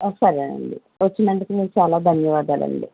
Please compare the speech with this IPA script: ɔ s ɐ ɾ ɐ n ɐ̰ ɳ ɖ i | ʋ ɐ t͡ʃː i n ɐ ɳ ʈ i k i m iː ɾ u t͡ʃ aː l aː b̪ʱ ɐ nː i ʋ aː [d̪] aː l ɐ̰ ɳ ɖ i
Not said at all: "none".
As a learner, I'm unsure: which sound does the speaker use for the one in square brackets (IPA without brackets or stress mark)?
d̪